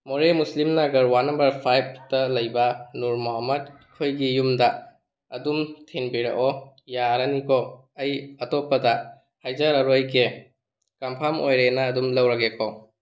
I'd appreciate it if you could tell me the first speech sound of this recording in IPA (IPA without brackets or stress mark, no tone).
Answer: m